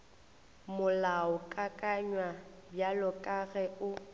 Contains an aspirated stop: no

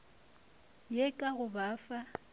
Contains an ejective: yes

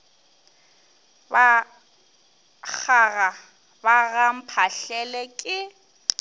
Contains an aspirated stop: yes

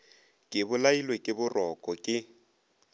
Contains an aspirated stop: no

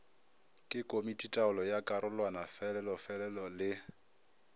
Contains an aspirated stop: no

